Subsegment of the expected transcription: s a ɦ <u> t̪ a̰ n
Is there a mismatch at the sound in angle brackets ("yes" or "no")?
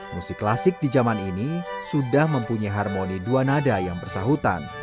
no